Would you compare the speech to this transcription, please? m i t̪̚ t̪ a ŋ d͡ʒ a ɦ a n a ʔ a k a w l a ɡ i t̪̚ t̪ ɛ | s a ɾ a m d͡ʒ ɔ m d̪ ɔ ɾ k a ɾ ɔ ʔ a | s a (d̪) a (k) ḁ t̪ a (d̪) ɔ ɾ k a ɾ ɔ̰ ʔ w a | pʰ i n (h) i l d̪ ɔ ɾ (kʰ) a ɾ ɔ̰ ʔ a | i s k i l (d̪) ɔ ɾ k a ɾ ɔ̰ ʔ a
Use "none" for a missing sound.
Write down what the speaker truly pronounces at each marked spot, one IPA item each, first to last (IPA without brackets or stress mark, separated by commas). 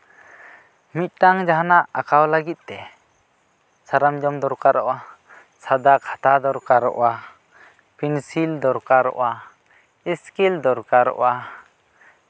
d̪, kʰ, d̪, s, k, d̪